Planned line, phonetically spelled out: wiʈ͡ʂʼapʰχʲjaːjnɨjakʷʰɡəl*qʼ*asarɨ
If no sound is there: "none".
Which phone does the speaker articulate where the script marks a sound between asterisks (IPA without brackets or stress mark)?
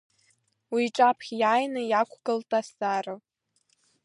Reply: tʼ